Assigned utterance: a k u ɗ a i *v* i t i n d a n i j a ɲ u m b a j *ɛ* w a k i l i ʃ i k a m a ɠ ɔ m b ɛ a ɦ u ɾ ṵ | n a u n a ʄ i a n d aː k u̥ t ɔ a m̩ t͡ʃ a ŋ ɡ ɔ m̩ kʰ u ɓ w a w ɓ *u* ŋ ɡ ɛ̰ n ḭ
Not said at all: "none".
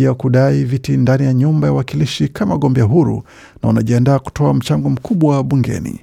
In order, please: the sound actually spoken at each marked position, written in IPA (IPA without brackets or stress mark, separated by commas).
v, a, u